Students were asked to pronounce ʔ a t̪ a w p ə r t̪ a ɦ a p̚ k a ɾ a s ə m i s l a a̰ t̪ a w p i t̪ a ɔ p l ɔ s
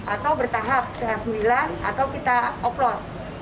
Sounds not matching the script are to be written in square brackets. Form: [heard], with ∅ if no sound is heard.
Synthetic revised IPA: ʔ a t̪ a w [b] ə r t̪ a ɦ a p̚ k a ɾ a s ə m i [∅] l a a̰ t̪ a w [k] i t̪ a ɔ p l ɔ s

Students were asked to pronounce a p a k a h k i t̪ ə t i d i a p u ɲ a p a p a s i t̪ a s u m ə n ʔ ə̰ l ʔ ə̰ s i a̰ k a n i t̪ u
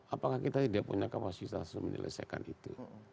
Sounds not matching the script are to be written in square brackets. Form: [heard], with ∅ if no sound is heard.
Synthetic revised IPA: a p a k a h k i t̪ [a] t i d i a p u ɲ a [k] a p a s i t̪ a s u m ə n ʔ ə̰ l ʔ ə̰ s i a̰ k a n i t̪ u

